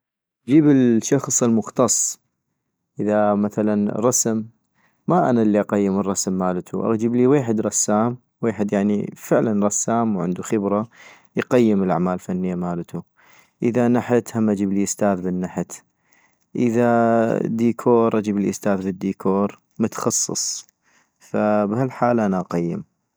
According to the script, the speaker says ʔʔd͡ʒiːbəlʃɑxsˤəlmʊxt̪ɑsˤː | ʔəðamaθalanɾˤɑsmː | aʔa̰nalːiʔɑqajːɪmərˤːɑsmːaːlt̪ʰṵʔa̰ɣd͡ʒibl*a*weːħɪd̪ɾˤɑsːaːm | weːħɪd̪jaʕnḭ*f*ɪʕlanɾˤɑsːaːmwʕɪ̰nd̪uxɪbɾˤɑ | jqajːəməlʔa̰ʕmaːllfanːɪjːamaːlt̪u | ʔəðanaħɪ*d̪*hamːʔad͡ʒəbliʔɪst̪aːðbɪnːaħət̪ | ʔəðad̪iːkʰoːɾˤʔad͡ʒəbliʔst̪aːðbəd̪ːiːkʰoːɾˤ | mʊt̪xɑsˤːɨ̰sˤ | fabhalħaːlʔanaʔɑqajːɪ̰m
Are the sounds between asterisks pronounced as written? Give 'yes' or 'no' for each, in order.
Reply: no, yes, no

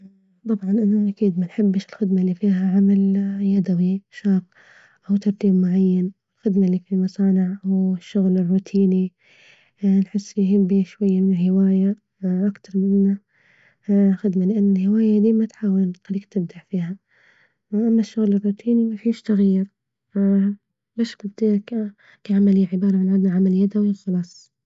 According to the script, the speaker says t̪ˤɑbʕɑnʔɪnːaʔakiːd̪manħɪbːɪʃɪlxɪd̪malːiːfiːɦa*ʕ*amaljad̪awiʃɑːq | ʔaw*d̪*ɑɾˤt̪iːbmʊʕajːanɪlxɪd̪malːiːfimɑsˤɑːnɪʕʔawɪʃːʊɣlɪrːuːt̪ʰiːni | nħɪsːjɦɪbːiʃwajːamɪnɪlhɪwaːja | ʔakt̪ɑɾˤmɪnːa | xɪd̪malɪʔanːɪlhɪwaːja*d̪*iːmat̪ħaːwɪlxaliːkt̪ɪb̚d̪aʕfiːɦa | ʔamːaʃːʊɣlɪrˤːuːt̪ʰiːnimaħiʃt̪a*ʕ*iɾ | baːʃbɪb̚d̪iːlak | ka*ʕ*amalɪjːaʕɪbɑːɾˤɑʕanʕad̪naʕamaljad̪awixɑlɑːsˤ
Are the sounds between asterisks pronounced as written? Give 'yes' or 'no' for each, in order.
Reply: yes, no, yes, no, yes

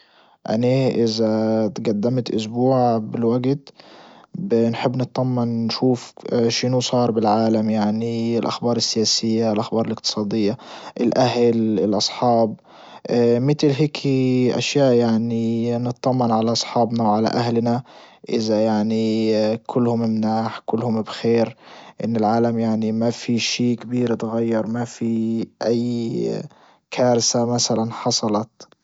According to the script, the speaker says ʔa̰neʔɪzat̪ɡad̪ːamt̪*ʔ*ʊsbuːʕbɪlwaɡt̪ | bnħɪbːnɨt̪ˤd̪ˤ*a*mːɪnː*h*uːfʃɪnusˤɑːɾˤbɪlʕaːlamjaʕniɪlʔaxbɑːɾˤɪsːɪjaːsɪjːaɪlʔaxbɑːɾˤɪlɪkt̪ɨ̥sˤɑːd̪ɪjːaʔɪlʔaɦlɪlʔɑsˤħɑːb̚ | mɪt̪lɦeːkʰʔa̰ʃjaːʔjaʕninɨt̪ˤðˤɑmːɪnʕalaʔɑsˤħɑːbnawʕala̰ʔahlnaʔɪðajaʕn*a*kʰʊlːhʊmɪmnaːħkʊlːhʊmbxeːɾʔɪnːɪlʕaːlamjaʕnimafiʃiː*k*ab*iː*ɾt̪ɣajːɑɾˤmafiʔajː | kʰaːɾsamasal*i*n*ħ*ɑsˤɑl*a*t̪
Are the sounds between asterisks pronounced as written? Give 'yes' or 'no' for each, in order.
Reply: yes, no, no, no, yes, yes, no, yes, no

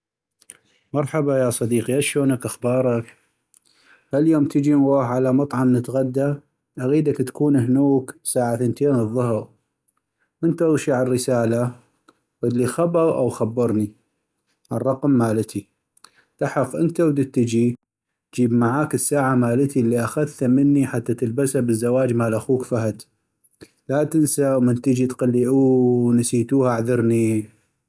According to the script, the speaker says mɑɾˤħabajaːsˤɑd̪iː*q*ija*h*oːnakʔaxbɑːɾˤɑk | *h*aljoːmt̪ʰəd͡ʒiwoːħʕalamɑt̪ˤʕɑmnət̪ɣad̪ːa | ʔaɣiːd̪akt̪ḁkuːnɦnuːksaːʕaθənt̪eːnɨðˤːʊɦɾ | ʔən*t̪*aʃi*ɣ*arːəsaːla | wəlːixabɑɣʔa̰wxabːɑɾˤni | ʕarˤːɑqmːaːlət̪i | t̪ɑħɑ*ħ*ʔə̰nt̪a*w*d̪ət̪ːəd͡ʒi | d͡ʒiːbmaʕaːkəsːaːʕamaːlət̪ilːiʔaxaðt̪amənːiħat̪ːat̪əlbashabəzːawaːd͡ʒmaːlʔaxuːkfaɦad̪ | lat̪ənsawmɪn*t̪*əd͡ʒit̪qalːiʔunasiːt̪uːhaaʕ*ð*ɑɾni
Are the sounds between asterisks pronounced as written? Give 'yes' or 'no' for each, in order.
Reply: yes, no, yes, yes, no, no, yes, yes, yes

